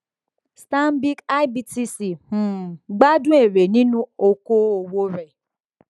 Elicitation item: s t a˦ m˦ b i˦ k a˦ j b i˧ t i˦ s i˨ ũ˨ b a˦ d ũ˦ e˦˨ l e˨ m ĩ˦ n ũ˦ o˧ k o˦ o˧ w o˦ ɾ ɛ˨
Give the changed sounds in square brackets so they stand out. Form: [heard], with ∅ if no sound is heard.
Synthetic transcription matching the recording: s t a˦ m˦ b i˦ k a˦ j b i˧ t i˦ s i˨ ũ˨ [ɡ͡b] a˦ d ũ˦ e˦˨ [ɾ] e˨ [n] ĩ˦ n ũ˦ o˧ k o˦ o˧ w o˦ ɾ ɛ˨